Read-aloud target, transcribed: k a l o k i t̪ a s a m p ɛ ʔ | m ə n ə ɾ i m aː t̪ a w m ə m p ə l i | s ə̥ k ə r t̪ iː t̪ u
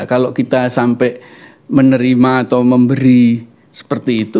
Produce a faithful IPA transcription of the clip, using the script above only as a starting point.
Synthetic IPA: k a l o k i t̪ a s a m p ɛ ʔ | m ə n ə ɾ i m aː t̪ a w m ə m b ə ɾ i | s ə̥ p ə r t̪ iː t̪ u